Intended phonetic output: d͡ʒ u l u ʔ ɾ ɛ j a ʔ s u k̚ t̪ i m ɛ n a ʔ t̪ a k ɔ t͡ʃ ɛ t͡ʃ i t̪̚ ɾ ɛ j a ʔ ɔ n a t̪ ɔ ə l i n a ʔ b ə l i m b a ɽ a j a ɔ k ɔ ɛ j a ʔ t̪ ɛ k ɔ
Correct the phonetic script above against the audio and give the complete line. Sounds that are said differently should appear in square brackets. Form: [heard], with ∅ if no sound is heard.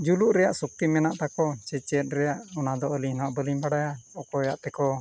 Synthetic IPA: d͡ʒ u l u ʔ ɾ ɛ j a ʔ s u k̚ t̪ i m ɛ n a ʔ t̪ a k ɔ t͡ʃ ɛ t͡ʃ [ɛ] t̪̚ ɾ ɛ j a ʔ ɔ n a [d̪] ɔ ə l i n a ʔ b ə l i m b a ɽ a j a ɔ k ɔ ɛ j a ʔ t̪ ɛ k ɔ